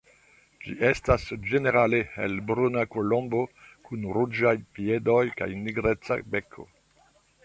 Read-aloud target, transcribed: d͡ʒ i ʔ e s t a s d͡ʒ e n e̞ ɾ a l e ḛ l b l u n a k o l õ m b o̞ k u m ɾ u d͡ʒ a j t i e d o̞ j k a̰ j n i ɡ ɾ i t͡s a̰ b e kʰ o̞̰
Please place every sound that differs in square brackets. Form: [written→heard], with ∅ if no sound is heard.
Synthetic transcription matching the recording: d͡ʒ i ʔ e s t a s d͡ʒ e n e̞ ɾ a l e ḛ l b [l→ɾ] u n a k o l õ m b o̞ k u [m→n] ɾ u d͡ʒ a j [t→p] i e d o̞ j k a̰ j n i ɡ ɾ [i→e] t͡s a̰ b e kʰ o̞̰